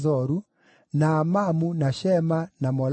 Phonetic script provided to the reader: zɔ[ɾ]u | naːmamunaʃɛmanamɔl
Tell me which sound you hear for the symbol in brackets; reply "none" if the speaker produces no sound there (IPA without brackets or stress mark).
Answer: ɾ